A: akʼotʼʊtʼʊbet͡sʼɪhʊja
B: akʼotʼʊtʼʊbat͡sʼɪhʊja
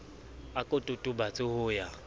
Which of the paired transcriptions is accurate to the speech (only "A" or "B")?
B